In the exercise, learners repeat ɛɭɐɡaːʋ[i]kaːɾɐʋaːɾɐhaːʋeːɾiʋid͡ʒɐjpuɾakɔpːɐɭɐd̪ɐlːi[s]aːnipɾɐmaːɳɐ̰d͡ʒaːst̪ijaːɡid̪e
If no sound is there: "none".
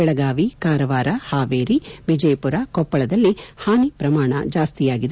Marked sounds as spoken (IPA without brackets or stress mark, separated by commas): i, h